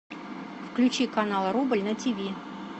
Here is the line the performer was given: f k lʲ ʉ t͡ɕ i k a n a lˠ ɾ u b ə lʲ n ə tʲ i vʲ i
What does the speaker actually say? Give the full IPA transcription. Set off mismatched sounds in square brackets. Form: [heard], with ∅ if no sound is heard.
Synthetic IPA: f k lʲ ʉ t͡ɕ i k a n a lˠ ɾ u b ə lʲ n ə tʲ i vʲ i